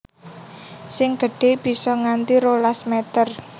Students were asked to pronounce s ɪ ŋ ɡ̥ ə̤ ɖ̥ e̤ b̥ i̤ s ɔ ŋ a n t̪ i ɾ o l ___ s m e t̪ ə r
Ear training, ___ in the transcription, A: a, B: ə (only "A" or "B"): A